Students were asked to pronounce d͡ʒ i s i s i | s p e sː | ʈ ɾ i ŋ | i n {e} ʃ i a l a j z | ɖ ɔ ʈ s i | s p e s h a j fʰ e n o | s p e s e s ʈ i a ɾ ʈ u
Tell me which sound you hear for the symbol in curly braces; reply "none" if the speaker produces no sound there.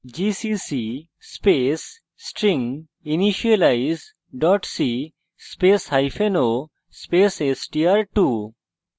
i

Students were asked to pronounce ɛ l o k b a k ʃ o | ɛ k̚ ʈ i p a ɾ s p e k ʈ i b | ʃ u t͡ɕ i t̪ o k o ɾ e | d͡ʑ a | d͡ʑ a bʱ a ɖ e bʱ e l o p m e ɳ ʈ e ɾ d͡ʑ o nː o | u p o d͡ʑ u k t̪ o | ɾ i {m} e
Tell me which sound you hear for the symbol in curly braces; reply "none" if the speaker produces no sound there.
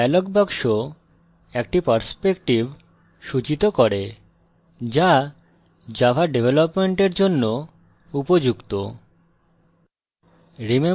m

